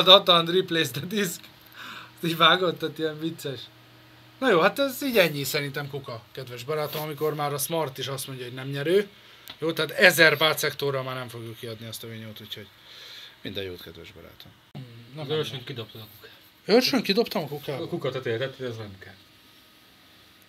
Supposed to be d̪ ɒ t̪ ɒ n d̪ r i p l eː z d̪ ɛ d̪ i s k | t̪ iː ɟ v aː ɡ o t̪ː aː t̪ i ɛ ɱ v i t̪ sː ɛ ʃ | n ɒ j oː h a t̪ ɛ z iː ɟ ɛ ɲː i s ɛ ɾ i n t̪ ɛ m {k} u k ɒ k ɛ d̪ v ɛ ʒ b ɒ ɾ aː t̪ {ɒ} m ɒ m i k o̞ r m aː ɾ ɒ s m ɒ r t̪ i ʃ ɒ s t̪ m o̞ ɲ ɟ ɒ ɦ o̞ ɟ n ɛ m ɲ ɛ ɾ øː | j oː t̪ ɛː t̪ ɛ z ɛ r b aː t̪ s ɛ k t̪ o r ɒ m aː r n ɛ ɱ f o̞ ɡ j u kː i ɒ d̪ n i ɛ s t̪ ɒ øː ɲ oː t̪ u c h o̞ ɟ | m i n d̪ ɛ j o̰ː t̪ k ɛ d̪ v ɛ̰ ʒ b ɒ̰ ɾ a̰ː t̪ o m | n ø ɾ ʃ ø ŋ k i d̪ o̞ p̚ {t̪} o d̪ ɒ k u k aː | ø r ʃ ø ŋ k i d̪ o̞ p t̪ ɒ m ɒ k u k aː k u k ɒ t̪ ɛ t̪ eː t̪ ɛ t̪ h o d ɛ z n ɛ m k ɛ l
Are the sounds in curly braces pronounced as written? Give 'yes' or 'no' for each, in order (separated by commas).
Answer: yes, no, yes